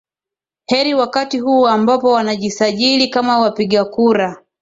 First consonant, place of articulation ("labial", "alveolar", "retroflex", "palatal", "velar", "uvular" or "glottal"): glottal